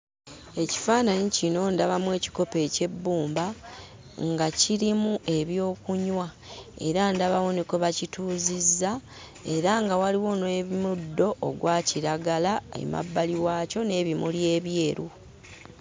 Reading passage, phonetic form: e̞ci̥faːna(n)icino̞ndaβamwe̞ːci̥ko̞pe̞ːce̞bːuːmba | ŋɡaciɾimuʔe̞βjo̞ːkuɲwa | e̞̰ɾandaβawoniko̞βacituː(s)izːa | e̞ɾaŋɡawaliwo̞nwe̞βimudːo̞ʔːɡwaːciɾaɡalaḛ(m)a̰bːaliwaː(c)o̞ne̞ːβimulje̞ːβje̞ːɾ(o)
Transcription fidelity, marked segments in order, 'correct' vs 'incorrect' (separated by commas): incorrect, incorrect, correct, correct, incorrect